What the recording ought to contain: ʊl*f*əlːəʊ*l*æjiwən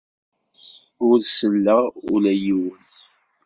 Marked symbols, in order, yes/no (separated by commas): no, yes